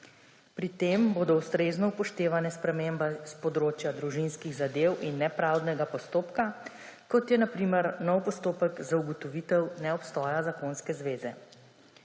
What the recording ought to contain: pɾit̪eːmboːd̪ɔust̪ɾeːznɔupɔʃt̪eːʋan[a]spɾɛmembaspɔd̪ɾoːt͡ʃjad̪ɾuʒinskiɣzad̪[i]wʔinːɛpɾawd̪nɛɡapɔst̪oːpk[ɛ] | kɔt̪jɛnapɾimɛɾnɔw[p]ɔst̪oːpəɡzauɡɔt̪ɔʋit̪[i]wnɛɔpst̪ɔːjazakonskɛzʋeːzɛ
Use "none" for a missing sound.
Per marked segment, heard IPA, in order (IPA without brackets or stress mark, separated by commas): ɛ, e, a, p, ɛ